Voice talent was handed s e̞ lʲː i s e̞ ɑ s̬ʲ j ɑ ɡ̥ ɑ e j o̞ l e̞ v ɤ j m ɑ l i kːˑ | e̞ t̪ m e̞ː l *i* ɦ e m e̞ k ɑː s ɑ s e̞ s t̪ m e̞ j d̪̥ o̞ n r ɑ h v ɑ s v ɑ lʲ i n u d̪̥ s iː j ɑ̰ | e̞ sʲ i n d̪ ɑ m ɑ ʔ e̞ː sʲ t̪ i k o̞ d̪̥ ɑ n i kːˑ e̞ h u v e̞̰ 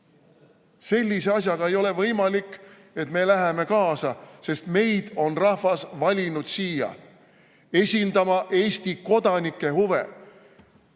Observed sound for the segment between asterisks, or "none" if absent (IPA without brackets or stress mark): æ